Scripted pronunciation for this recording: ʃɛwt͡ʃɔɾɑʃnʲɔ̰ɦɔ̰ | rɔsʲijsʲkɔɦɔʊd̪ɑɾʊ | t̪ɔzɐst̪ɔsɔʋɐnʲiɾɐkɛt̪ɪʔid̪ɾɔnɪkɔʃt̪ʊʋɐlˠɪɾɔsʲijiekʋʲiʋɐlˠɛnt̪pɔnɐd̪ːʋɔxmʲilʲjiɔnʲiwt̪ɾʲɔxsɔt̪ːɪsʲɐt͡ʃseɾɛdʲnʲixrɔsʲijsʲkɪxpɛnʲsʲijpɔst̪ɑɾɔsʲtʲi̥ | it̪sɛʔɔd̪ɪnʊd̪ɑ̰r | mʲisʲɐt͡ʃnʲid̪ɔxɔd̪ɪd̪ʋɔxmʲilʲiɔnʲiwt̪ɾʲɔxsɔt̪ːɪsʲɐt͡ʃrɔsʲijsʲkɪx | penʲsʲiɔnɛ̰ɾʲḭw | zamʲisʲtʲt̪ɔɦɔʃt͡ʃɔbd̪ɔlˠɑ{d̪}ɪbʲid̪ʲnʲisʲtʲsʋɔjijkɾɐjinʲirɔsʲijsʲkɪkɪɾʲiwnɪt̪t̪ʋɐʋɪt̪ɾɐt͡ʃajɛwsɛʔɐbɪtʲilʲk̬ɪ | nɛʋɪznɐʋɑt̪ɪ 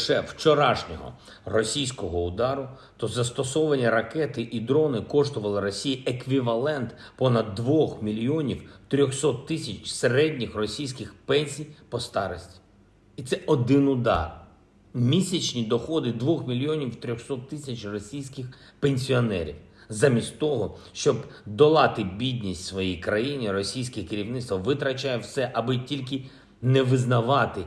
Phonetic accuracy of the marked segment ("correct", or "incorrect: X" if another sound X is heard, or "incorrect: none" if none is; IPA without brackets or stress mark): incorrect: t̪